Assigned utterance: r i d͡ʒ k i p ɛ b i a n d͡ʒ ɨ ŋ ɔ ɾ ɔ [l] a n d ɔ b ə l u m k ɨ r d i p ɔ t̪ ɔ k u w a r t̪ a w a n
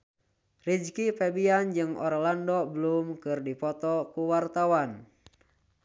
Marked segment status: correct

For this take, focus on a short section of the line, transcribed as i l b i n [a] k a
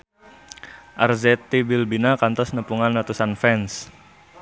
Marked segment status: correct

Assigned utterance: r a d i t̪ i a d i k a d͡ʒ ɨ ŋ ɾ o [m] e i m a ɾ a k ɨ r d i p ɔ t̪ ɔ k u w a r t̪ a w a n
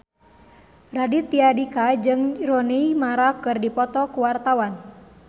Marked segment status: incorrect: n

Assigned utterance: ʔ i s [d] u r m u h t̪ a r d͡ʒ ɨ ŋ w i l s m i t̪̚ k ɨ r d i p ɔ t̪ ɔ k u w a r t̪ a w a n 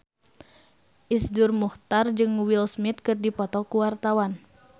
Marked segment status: correct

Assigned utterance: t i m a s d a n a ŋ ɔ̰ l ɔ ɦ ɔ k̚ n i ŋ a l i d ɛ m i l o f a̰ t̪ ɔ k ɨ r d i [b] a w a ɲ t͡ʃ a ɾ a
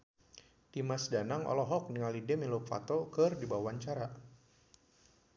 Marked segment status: correct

